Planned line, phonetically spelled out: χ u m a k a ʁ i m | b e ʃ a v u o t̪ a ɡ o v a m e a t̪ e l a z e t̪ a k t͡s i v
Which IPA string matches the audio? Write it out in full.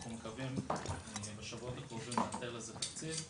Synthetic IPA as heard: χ u m e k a v i m | b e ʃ a v u o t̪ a k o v i m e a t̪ e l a z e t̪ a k t͡s i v